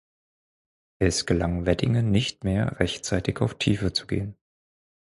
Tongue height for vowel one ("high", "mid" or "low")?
mid